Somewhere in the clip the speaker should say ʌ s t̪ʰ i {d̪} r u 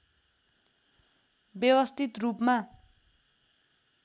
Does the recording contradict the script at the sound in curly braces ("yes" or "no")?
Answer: yes